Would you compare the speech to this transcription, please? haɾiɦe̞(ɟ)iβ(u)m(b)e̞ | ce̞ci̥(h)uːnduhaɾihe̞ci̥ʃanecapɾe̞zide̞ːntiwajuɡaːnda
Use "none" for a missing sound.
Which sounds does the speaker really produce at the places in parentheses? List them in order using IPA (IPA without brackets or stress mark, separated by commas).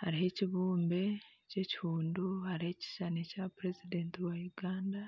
c, uː, b, h